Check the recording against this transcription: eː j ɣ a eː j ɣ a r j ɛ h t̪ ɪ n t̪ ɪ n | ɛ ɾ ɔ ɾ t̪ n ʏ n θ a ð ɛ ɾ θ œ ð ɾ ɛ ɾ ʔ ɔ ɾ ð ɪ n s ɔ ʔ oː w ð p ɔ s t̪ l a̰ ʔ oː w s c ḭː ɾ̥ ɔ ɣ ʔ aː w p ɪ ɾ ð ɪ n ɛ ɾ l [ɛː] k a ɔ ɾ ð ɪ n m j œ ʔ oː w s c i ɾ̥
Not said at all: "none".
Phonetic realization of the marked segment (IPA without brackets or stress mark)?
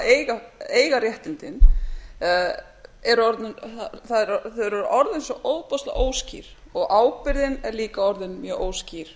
iː